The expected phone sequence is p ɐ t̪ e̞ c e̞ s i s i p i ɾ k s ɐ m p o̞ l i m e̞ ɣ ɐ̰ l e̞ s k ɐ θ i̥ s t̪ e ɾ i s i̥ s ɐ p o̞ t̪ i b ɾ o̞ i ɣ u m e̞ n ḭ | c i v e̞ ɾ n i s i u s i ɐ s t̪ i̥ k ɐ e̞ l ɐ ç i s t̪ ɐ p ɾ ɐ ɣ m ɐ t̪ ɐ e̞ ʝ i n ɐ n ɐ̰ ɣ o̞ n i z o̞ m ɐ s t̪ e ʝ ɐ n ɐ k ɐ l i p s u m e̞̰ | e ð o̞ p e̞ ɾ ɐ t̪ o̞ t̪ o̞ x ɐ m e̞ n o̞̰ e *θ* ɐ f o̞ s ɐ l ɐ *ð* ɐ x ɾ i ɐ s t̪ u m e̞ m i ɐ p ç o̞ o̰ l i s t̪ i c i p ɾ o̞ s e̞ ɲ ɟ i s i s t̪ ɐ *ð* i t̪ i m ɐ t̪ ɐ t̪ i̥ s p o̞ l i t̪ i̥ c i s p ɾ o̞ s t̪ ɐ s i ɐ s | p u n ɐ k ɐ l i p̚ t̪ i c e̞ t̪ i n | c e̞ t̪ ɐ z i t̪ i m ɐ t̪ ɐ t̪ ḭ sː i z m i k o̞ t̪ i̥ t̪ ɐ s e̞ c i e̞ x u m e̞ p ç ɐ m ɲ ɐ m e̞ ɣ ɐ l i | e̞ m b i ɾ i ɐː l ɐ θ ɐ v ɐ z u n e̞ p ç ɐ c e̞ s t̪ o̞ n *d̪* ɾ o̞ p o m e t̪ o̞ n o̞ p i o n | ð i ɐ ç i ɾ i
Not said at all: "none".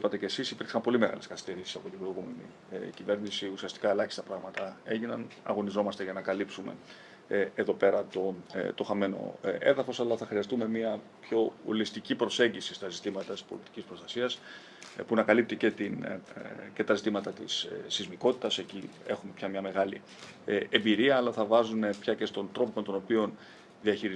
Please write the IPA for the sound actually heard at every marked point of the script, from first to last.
ð, θ, z, t̪

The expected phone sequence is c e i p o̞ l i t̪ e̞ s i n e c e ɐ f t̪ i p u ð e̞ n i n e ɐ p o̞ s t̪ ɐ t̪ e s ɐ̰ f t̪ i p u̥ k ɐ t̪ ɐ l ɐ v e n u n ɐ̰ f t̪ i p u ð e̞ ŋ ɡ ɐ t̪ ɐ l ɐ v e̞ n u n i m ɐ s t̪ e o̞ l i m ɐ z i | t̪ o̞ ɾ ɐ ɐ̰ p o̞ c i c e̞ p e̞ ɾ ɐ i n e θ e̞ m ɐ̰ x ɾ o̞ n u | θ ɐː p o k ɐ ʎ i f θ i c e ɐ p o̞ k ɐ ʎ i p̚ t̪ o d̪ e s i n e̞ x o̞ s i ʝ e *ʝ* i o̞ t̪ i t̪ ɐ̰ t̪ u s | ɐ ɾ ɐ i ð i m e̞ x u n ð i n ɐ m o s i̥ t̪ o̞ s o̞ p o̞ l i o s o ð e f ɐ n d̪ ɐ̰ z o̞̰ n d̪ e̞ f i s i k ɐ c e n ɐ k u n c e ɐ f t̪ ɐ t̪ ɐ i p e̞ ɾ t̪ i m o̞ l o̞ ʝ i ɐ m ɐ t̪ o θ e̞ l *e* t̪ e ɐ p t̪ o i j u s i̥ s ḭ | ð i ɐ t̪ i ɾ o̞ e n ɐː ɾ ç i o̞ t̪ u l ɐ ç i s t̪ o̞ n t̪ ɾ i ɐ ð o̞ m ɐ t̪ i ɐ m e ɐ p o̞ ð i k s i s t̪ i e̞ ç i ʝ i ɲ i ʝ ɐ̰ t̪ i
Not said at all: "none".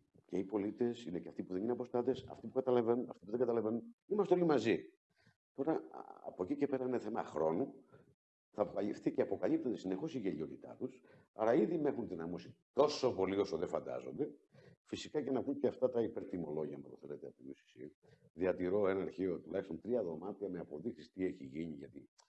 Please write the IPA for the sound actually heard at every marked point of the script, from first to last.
ʎ, e

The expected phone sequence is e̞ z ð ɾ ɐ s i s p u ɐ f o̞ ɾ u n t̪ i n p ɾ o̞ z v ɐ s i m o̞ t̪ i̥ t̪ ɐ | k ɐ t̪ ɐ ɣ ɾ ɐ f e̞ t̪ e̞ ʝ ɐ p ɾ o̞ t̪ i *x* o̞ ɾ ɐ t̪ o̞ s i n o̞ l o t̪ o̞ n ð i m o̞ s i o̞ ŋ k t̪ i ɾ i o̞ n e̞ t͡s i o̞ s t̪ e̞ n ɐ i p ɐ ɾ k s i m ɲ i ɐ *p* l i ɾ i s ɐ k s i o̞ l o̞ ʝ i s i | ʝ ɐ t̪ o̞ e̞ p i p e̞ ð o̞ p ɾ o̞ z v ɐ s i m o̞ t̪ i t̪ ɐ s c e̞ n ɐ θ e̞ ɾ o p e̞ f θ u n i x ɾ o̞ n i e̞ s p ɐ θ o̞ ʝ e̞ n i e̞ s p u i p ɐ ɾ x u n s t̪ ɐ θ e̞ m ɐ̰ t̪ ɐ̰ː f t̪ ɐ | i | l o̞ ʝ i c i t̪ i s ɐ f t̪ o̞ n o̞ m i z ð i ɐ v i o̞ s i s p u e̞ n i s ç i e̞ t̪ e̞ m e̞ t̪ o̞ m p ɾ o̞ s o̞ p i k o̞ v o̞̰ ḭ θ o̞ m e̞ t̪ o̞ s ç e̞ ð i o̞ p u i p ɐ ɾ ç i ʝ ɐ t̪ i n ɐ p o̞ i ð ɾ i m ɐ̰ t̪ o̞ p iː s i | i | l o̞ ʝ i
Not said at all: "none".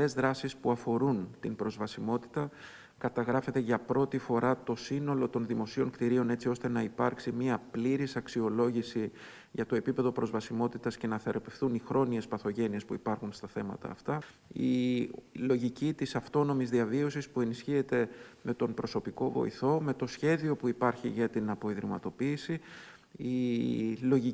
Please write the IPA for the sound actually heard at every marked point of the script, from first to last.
f, p

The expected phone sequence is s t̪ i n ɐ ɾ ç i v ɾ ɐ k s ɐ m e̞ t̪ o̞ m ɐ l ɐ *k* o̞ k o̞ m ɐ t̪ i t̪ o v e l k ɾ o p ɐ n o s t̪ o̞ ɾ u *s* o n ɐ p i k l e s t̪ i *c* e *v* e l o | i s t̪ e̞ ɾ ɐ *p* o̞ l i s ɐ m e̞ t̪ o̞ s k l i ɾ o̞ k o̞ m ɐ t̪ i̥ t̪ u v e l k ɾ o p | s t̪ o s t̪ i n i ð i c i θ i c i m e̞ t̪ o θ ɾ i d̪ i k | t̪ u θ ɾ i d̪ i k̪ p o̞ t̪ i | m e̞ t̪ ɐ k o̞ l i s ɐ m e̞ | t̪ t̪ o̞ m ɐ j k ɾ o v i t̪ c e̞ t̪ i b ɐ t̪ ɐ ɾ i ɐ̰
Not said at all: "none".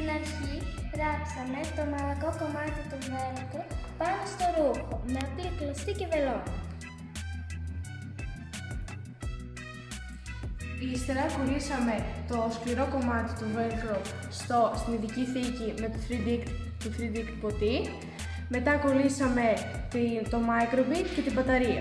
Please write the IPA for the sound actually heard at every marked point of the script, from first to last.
k, x, c, v, k

